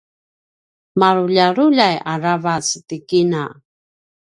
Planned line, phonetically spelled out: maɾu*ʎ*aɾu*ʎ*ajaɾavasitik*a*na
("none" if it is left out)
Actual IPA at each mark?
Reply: ʎ, ʎ, i

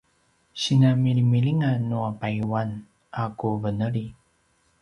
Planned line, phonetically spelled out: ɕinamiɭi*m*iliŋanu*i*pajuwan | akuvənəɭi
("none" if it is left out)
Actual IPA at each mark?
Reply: m, a

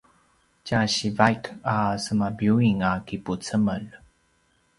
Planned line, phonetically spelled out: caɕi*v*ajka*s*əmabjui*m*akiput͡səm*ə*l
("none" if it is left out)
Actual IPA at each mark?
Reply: v, s, ŋ, ə

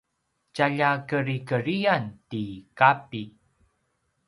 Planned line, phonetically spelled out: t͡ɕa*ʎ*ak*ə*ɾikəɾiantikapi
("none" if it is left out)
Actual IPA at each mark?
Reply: ʎ, ə

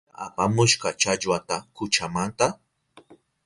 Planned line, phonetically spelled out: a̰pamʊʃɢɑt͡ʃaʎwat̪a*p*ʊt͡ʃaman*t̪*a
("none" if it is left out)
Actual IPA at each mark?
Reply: k, t̪

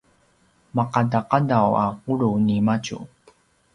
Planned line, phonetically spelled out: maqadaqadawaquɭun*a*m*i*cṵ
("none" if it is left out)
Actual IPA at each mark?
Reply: i, a

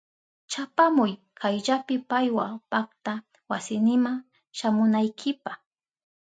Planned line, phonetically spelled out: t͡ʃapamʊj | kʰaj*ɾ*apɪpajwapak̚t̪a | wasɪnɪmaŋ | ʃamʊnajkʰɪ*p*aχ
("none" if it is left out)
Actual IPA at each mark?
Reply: ʎ, p

